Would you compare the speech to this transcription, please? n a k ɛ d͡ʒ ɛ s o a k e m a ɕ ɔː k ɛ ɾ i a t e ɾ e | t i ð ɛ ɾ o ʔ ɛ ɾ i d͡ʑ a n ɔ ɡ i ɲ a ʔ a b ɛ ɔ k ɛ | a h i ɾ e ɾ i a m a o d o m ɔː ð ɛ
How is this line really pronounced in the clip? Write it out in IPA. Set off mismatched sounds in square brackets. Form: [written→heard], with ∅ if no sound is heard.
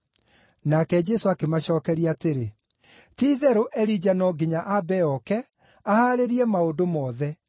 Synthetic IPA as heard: n a k ɛ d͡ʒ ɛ s o a k e m a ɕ ɔː k ɛ ɾ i a t e ɾ e | t i ð ɛ ɾ o ʔ ɛ ɾ i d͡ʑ a n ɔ ɡ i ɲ a ʔ a b ɛ ɔ k ɛ | a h [i→a] ɾ e ɾ i [a→ɛ] m a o d o m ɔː ð ɛ